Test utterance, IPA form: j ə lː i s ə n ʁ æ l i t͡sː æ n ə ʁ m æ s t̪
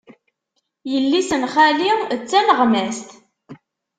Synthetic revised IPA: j ə lː i s ə n χ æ l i t͡sː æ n ə ʁ m æ s t̪